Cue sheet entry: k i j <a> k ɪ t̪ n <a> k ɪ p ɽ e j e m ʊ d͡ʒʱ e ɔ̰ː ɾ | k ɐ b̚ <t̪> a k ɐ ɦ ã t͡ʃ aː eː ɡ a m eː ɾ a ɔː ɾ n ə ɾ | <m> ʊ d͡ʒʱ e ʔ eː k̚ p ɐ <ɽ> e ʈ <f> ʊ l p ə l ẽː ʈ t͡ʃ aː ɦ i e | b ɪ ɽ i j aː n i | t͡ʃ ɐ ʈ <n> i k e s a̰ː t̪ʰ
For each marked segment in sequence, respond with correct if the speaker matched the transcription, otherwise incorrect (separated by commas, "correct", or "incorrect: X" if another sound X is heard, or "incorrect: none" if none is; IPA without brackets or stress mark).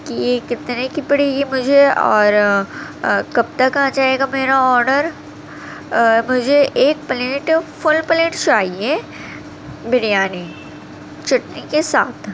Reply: incorrect: e, incorrect: e, correct, correct, incorrect: l, correct, correct